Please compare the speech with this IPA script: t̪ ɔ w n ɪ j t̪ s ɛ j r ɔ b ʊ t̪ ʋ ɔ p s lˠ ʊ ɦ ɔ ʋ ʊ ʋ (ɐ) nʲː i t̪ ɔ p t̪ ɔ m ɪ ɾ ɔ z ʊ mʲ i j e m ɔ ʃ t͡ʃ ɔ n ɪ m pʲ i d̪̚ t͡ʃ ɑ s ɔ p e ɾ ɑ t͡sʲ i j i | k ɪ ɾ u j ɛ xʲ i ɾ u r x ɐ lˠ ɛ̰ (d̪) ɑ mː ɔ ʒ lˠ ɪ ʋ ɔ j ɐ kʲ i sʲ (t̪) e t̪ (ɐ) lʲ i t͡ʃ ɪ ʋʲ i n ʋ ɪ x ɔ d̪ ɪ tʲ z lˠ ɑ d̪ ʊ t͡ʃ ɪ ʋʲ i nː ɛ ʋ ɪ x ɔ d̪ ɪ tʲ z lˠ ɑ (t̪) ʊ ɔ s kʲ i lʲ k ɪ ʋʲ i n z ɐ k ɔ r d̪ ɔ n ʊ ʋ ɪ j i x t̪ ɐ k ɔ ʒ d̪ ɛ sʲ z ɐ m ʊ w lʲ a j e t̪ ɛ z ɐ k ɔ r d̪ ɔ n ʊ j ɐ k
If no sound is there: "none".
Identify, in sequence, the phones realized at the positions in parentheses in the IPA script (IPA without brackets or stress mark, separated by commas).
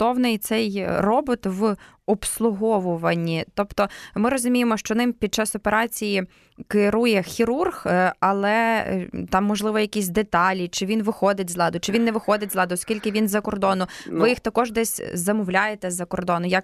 ɐ, t̪, d̪, ɑ, d̪